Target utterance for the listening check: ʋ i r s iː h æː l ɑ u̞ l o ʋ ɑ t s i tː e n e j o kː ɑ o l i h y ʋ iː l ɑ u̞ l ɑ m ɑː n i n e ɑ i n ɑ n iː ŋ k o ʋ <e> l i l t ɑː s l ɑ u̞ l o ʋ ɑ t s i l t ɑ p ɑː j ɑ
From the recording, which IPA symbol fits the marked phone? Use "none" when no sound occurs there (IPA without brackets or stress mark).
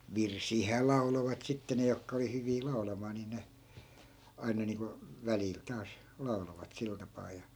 æ